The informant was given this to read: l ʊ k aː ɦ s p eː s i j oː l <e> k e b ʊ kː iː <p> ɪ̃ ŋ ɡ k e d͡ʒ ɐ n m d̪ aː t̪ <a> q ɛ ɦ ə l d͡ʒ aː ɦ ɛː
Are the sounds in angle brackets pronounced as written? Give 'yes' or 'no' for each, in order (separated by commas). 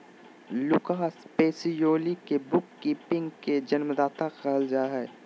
no, yes, yes